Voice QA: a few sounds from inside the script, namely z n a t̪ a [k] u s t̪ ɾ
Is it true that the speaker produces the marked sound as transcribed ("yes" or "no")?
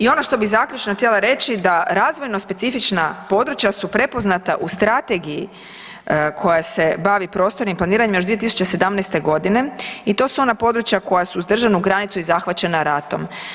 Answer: no